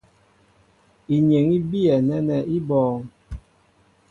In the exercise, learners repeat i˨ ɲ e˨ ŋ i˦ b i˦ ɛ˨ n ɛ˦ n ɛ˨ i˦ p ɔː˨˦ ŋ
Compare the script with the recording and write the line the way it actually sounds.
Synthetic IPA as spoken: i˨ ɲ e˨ ŋ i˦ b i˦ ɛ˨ n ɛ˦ n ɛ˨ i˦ b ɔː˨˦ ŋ

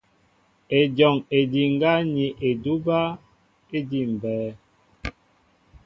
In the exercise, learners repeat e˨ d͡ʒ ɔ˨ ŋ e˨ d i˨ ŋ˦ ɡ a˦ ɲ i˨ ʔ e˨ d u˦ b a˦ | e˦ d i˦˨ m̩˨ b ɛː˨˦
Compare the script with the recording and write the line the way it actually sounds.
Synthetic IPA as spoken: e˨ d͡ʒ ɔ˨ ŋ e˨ d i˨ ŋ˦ ɡ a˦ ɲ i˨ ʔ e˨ d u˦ b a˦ | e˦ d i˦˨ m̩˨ b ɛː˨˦

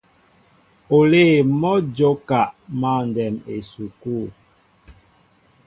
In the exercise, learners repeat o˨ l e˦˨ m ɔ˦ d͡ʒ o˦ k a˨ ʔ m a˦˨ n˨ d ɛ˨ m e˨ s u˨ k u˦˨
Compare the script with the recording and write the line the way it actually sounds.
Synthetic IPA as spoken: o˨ l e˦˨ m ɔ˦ d͡ʒ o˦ k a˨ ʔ m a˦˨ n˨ d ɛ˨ m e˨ s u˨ k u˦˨

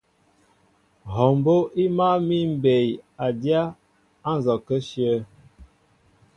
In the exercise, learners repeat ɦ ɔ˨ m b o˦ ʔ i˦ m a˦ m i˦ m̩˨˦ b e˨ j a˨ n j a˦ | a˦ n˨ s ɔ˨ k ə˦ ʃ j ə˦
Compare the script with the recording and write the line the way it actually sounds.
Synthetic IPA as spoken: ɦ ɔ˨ m b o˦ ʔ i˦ m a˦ m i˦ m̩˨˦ b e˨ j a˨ d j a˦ | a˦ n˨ z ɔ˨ k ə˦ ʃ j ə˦

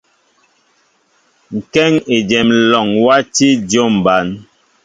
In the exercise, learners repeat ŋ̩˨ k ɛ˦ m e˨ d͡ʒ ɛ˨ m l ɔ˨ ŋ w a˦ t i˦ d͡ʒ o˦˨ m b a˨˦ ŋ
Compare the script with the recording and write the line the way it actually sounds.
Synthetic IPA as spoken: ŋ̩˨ k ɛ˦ ŋ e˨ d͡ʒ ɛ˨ m l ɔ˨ ŋ w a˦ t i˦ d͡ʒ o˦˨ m b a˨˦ n

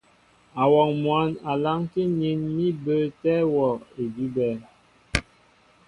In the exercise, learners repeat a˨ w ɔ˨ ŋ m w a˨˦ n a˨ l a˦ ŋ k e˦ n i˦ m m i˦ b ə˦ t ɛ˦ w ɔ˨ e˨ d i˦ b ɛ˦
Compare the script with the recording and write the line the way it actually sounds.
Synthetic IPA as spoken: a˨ w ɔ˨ ŋ m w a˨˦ n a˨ l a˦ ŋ k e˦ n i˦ n m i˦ b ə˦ t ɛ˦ w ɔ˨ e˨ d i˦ b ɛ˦

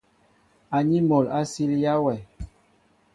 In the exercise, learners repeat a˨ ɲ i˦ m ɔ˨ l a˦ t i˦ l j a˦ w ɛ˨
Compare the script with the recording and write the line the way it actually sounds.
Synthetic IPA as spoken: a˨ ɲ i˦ m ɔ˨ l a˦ s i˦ l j a˦ w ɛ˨

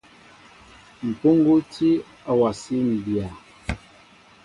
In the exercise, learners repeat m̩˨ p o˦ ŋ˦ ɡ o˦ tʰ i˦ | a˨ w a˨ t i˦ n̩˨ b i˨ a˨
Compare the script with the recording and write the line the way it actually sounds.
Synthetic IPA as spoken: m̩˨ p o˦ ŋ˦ ɡ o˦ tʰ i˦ | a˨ w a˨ s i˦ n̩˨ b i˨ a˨

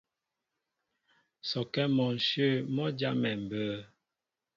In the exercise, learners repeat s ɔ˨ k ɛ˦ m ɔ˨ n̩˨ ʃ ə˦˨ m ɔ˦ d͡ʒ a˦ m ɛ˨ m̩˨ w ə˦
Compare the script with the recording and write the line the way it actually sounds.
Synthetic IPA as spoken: s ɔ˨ k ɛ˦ m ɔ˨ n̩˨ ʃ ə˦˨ m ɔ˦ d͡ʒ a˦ m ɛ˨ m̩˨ b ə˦

